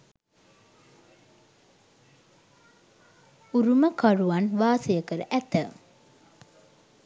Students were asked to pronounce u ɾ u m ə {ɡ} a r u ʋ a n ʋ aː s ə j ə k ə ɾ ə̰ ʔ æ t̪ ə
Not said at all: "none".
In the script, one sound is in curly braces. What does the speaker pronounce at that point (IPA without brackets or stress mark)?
k